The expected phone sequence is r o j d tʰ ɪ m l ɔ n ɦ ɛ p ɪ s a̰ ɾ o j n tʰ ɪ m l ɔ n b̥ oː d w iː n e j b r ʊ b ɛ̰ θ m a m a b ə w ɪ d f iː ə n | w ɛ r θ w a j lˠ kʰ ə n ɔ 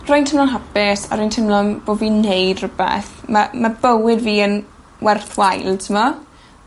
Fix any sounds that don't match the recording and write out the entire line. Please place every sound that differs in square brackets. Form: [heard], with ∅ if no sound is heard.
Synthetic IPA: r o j [n] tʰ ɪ m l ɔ n ɦ [a] p ɪ s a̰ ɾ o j n tʰ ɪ m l ɔ n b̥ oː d [v] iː n e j [d] r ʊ b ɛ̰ θ m a m a b ə w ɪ d [v] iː ə n | w ɛ r θ w a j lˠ [tʰ] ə [m] ɔ